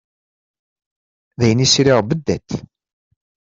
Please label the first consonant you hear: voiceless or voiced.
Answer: voiced